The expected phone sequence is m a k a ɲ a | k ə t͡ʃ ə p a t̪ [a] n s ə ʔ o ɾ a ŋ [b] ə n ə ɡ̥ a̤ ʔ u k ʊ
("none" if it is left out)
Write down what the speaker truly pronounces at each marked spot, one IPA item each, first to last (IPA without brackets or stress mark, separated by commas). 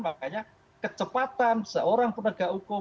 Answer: a, p